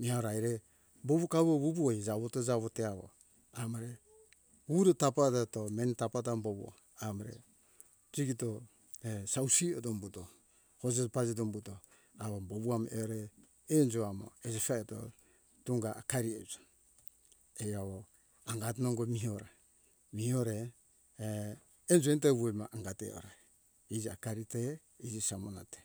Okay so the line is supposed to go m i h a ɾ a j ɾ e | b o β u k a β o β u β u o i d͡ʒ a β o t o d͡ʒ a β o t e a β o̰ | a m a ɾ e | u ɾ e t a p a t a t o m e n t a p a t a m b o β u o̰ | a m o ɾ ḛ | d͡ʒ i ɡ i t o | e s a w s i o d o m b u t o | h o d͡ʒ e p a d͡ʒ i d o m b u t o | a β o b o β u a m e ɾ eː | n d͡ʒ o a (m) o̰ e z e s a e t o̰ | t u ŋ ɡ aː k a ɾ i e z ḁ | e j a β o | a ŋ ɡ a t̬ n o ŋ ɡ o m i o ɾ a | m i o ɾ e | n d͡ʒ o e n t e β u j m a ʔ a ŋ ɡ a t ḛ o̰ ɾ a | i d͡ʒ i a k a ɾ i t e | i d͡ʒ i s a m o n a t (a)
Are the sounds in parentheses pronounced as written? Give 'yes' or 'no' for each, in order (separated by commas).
yes, no